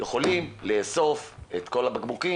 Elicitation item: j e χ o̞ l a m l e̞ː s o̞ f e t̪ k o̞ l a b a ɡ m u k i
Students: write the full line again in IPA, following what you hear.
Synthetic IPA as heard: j e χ o̞ l i m l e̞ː s o̞ f e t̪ k o̞ l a b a ɡ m u k i